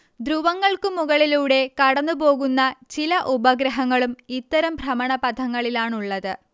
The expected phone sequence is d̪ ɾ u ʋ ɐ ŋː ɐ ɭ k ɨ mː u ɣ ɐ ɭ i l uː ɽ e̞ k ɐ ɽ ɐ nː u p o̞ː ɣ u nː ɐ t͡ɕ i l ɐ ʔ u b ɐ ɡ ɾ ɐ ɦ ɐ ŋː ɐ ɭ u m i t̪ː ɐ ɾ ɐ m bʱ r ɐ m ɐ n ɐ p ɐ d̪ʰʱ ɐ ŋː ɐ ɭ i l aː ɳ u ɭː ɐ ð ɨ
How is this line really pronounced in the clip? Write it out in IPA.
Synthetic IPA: d̪ ɾ u ʋ ɐ ŋː ɐ ɭ k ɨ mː u ɣ ɐ ɭ i l uː ɽ e̞ k ɐ ɽ ɐ nː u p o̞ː ɣ u nː ɐ t͡ɕ i l ɐ ʔ u b ɐ ɡ ɾ ɐ ɦ ɐ ŋː ɐ ɭ u m i t̪ː ɐ ɾ ɐ m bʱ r ɐ m ɐ ɳ ɐ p ɐ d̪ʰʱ ɐ ŋː ɐ ɭ i l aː ɳ u ɭː ɐ ð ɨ